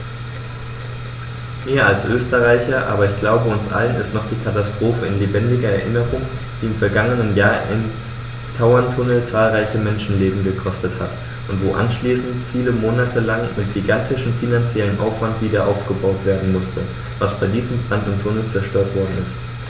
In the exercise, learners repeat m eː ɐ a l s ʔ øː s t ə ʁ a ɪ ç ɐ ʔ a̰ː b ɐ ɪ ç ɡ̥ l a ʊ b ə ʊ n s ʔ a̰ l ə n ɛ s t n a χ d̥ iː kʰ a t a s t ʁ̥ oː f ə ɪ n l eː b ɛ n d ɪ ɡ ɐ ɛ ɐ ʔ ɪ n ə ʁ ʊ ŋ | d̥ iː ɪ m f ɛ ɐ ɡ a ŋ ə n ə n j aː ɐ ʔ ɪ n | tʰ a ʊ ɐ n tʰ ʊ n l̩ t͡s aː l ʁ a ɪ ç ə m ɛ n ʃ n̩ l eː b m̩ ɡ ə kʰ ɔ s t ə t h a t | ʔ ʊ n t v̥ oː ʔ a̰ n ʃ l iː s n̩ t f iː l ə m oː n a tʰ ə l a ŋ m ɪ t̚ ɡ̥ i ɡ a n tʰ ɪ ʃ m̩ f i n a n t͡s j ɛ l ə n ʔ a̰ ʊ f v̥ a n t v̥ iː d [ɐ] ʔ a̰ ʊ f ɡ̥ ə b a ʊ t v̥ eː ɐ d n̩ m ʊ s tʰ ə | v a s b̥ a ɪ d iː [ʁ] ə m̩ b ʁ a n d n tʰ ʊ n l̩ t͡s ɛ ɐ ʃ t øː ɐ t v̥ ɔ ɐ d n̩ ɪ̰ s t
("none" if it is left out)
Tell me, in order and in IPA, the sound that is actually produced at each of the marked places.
ɐ, z

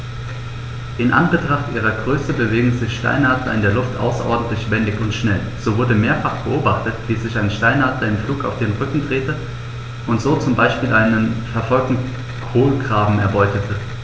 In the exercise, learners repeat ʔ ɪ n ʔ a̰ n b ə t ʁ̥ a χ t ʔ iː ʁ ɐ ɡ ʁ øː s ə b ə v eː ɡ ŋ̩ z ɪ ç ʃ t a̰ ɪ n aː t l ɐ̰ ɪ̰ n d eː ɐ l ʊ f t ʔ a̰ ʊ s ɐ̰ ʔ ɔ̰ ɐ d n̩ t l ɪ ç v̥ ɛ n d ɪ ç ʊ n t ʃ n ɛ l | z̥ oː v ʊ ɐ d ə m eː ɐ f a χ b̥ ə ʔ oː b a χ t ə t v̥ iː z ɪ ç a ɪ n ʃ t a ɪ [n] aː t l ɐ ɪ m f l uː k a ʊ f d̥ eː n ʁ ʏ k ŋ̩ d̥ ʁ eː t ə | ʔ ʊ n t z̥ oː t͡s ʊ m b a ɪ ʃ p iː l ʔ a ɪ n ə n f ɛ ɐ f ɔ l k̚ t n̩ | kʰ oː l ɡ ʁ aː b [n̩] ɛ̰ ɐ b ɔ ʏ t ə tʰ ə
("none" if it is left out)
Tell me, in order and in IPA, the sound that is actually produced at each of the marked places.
n, m̩

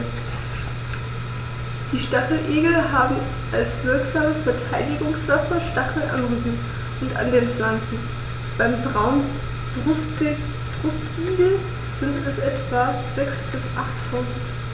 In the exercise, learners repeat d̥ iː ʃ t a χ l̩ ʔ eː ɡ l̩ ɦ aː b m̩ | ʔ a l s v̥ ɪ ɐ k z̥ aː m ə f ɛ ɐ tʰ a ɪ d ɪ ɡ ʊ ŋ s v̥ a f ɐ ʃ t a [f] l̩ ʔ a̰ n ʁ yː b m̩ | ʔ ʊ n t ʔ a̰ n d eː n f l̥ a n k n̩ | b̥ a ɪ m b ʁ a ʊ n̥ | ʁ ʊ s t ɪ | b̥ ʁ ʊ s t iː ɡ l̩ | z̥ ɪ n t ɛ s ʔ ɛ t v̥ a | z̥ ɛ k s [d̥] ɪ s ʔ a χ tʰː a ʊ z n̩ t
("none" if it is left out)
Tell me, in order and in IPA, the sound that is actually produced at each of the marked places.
χ, b̥

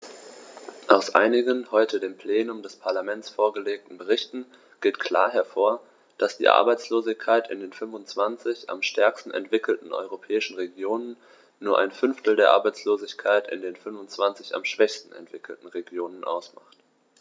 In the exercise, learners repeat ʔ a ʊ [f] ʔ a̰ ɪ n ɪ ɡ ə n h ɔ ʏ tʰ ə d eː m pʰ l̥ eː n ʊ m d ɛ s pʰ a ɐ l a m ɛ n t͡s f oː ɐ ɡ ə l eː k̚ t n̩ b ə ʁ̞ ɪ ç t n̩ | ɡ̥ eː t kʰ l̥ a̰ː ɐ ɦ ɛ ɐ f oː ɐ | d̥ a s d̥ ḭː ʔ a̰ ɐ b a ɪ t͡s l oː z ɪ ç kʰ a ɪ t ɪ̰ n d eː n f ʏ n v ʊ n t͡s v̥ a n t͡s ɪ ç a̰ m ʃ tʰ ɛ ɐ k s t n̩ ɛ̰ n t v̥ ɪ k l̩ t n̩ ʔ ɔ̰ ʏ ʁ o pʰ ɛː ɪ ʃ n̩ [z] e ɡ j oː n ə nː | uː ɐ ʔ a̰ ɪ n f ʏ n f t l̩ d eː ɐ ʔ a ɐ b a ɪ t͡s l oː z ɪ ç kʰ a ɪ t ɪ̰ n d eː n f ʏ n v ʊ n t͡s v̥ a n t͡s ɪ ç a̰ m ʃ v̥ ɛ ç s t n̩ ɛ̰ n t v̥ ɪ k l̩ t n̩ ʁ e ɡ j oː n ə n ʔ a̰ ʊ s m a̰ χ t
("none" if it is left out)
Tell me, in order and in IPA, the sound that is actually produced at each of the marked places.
s, ʁ

